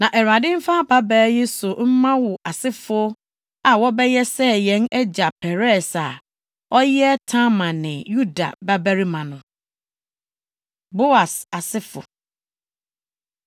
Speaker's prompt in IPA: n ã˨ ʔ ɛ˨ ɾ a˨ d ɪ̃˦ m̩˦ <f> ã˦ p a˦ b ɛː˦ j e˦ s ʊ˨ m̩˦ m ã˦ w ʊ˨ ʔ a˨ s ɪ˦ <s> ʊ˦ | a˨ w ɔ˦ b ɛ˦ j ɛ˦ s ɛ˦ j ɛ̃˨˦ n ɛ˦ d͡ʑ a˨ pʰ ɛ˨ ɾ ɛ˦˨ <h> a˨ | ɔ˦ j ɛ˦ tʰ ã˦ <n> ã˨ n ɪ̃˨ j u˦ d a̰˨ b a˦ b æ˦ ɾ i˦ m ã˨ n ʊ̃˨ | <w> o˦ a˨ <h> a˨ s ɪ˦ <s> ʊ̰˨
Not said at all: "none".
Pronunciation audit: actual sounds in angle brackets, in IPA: f, f, s, m, b, s, f

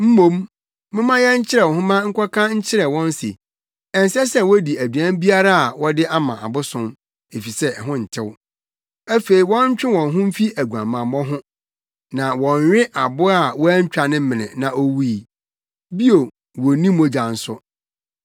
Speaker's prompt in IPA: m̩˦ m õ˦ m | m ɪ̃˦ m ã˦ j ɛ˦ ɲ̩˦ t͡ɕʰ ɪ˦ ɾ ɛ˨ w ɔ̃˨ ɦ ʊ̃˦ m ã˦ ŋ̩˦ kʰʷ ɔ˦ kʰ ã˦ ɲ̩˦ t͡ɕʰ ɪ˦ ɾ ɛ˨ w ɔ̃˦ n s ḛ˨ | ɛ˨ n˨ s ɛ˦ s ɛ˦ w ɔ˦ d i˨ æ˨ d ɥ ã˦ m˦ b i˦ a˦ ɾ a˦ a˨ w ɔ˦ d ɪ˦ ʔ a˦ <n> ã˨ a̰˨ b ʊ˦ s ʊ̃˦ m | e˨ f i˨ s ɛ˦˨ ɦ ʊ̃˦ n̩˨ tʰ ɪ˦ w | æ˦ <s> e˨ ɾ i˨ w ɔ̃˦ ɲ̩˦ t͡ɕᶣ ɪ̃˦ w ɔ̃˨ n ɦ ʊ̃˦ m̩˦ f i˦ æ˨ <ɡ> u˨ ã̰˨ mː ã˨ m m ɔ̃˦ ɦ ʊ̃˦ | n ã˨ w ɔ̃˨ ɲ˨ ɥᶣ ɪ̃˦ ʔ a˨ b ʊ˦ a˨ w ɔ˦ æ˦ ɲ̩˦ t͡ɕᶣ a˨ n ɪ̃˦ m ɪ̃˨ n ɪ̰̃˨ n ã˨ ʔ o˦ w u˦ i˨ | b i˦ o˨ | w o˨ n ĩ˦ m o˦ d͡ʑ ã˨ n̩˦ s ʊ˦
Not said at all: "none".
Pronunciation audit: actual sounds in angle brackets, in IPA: m, f, ɡ

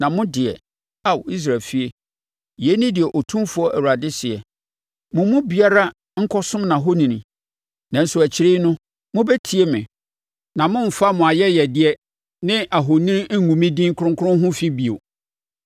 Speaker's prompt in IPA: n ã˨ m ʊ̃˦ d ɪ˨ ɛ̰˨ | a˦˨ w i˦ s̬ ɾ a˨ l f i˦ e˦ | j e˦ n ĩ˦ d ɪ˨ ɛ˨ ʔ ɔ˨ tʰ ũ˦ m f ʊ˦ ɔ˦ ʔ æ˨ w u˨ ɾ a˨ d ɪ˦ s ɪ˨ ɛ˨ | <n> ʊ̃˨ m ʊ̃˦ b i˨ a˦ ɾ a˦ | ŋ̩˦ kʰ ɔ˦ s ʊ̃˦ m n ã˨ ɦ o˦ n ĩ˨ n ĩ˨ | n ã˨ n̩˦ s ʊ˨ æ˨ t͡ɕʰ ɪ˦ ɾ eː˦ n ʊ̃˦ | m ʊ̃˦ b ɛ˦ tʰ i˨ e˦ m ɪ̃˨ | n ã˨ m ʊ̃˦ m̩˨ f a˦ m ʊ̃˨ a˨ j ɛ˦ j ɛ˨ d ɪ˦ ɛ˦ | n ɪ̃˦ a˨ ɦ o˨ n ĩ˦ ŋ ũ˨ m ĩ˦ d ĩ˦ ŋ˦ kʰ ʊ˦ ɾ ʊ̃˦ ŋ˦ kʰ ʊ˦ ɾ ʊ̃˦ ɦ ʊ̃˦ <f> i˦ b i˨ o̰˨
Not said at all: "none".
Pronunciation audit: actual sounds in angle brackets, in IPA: m, f

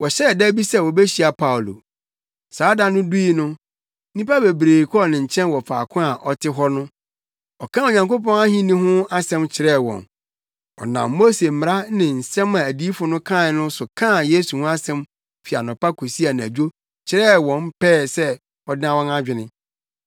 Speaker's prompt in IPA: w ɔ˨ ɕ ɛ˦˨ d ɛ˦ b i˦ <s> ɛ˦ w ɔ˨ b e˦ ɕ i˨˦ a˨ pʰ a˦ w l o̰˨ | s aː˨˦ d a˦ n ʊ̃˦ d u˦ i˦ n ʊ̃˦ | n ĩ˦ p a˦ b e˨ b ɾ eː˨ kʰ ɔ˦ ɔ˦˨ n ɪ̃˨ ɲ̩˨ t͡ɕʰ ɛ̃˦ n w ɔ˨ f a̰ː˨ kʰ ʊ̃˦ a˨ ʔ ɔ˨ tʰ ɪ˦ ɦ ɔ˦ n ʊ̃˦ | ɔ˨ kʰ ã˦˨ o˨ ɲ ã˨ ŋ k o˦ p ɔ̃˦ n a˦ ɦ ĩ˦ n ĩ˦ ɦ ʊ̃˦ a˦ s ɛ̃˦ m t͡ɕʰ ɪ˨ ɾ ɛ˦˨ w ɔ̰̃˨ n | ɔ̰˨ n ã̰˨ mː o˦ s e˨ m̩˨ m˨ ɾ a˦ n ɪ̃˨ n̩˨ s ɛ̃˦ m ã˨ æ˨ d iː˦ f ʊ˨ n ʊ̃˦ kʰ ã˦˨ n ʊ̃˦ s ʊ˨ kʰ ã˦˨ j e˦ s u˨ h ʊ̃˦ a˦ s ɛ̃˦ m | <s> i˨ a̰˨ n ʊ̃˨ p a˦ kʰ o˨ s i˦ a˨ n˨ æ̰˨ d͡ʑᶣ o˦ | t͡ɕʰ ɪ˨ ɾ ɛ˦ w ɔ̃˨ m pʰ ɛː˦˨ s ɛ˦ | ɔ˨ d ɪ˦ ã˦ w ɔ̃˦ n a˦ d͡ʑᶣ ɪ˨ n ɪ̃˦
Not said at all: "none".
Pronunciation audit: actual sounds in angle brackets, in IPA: s, f

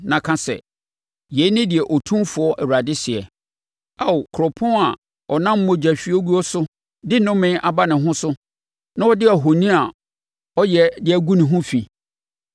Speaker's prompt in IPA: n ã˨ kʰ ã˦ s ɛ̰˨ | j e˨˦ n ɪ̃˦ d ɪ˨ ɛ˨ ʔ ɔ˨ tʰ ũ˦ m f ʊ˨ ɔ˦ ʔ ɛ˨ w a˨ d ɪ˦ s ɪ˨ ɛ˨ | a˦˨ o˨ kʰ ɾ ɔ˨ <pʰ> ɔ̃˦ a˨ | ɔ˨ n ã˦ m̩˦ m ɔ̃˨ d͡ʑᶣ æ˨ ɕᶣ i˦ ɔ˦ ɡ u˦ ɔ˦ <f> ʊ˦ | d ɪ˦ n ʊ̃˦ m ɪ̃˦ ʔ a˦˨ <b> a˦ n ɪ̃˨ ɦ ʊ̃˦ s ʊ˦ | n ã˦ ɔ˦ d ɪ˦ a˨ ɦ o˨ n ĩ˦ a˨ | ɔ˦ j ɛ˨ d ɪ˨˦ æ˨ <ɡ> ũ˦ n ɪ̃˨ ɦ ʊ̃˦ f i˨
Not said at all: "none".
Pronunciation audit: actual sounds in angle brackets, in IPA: pʰ, s, b, ɡ

